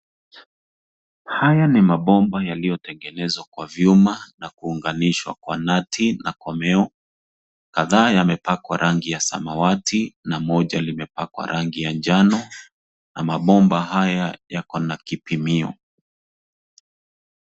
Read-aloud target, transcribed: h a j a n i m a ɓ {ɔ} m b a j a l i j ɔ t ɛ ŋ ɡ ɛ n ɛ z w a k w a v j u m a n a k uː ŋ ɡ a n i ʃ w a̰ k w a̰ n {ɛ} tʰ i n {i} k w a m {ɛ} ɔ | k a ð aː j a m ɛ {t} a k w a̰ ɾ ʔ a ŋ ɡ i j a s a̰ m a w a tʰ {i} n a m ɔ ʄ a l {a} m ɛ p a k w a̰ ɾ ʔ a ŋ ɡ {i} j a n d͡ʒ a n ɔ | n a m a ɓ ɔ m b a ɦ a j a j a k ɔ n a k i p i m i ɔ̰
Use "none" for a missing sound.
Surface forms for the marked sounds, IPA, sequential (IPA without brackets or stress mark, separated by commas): ɔ, a, a, ɛ, p, i, i, i